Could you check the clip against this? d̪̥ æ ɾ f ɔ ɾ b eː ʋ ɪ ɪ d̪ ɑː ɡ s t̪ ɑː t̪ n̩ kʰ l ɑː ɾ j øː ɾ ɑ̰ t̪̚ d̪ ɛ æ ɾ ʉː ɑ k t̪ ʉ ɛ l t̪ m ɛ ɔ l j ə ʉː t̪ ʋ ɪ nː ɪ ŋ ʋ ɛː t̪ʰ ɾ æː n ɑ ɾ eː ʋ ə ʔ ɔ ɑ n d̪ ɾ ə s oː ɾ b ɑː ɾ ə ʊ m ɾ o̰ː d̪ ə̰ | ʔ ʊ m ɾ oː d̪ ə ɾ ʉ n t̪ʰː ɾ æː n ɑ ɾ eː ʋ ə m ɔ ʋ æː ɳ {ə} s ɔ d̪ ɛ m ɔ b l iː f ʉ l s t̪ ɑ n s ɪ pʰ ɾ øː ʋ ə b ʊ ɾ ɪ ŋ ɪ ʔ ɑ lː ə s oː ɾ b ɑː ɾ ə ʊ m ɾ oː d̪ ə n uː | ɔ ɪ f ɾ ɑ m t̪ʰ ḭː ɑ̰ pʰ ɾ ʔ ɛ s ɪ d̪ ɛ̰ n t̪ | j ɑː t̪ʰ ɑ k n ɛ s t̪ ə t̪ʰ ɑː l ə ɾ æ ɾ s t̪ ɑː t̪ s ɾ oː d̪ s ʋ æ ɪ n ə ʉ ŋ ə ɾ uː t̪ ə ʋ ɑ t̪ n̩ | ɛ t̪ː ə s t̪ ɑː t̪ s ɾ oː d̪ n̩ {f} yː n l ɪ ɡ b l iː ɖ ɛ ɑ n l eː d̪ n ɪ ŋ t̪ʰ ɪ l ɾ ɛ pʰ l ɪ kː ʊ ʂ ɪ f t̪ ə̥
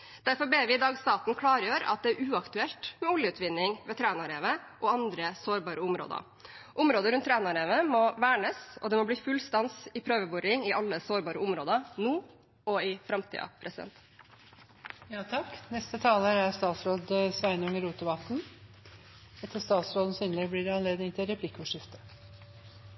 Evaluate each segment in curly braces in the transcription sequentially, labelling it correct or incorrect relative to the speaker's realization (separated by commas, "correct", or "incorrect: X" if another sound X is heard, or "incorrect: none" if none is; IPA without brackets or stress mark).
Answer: correct, incorrect: s